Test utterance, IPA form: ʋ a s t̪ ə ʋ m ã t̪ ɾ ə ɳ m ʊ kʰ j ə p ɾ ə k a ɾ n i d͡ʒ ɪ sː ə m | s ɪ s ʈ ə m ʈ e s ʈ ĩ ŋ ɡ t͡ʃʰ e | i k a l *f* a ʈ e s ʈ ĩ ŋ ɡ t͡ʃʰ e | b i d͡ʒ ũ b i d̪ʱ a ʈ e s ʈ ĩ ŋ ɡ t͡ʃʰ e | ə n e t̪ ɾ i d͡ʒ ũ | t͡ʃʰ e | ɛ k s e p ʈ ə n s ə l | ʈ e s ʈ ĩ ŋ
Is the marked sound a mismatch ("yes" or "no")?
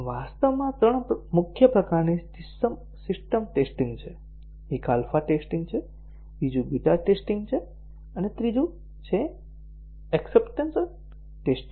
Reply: no